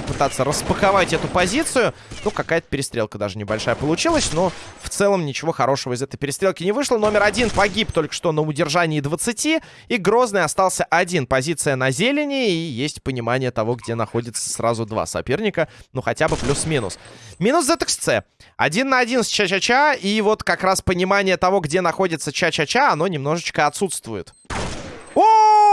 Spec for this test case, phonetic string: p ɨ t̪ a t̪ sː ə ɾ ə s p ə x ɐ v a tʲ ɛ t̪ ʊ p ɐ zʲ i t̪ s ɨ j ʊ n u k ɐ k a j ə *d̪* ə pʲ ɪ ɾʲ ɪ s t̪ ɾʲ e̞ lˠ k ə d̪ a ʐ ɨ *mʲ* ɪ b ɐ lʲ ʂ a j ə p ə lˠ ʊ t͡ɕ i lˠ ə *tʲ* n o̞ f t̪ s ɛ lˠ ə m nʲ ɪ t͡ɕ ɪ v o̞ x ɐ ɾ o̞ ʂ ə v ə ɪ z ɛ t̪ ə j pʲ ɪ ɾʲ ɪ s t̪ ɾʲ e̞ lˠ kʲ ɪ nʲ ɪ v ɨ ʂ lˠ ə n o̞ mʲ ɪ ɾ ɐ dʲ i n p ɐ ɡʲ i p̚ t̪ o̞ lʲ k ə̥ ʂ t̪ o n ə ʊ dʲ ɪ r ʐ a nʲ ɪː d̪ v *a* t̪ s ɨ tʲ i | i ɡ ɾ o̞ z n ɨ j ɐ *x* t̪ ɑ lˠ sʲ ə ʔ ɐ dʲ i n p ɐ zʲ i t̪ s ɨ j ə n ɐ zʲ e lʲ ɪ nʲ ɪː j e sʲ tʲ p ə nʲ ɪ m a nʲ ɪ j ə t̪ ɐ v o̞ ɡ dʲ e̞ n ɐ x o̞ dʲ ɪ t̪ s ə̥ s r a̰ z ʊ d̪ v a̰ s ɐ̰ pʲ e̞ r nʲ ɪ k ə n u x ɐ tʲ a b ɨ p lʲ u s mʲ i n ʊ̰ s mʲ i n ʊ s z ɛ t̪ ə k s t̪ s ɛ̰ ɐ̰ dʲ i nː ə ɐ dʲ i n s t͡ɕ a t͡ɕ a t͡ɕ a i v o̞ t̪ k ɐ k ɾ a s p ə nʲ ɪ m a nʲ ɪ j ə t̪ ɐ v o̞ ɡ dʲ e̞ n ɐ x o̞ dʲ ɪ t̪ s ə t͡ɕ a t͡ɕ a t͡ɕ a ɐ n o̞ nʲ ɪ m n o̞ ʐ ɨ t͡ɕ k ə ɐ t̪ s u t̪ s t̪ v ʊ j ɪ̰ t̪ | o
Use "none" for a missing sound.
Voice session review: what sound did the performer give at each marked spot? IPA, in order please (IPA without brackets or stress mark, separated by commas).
t̪, nʲ, sʲ, ə, s